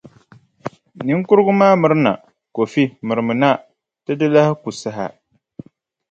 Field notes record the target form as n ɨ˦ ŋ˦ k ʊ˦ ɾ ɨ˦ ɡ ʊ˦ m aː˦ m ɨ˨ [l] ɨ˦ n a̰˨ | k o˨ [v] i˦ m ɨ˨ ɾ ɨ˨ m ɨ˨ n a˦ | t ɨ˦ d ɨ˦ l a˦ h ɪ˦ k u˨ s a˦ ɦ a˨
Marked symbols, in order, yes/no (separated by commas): no, no